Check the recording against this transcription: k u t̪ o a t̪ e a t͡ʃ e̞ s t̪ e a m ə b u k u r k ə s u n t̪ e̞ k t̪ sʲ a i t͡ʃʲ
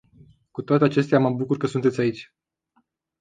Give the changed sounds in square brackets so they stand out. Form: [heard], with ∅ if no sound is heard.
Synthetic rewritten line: k u t̪ o a t̪ e a t͡ʃ e̞ s t̪ e a m ə b u k u r k ə s u n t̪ e̞ [∅] t̪ sʲ a i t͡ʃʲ